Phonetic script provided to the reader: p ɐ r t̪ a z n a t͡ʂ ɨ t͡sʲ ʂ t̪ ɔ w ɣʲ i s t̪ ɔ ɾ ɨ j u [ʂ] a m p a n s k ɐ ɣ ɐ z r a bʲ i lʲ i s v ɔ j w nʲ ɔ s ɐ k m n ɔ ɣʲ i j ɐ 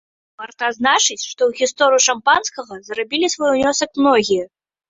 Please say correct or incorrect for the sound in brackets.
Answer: correct